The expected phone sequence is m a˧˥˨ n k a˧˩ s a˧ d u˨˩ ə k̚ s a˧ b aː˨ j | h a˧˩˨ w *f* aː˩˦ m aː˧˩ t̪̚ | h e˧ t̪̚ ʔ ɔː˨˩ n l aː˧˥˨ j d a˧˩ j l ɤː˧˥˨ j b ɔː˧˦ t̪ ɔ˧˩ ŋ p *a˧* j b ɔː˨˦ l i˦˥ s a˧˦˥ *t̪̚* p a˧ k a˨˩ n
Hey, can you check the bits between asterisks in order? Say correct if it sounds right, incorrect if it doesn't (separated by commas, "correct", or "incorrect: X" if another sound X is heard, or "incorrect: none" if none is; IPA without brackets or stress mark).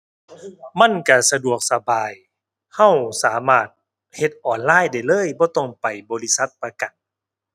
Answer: incorrect: s, incorrect: a˨˩, correct